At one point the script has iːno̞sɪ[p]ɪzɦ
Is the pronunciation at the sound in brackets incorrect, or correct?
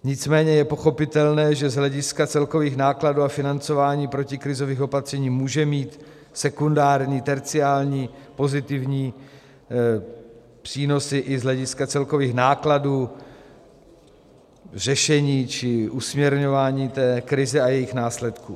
incorrect: ʔ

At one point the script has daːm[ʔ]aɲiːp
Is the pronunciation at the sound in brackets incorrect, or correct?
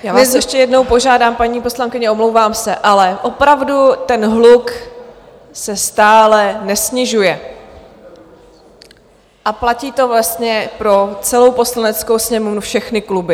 incorrect: p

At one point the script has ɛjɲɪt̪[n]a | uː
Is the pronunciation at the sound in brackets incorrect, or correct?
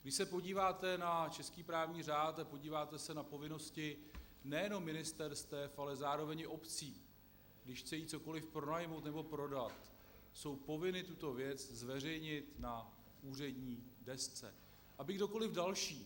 correct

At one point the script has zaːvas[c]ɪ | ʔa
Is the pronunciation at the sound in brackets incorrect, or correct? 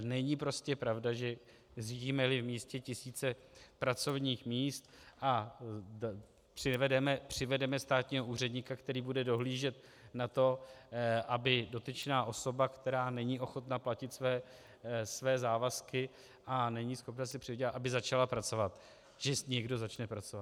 incorrect: k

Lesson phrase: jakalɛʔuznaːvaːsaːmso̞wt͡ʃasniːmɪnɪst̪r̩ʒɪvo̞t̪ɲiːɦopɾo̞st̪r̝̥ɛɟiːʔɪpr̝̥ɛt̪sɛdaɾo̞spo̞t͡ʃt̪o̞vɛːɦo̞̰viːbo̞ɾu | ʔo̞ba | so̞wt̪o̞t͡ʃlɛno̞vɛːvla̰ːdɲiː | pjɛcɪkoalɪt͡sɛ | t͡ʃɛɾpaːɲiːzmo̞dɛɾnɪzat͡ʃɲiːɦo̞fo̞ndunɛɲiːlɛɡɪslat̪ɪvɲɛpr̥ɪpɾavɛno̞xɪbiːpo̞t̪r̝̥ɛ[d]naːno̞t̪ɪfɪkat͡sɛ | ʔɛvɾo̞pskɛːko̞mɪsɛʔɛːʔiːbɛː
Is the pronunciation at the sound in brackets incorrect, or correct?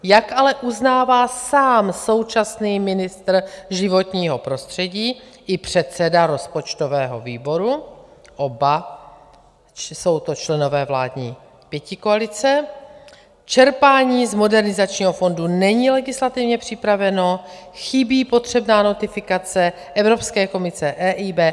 incorrect: b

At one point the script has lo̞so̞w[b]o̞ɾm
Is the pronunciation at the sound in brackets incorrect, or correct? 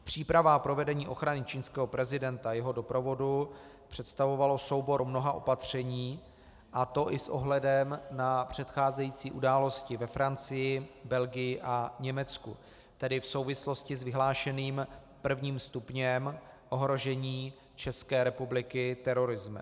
correct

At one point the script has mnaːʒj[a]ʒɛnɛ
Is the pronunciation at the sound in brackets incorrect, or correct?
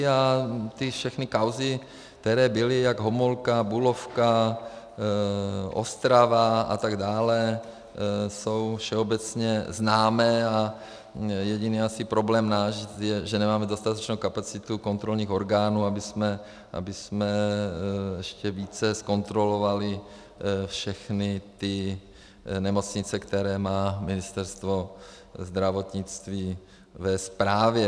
incorrect: ɛ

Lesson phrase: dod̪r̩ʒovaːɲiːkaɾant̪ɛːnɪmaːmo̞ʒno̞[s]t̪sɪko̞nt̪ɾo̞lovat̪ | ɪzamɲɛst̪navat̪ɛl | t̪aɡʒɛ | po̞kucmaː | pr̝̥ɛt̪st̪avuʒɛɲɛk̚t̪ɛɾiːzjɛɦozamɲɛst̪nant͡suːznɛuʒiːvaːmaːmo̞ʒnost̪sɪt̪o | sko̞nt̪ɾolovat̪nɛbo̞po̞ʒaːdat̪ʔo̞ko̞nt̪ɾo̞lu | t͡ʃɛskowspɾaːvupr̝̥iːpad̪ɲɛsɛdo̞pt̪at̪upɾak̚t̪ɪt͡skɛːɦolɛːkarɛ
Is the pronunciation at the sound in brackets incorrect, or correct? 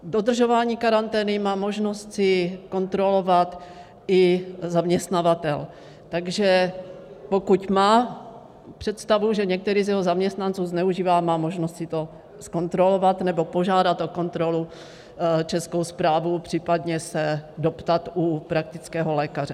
correct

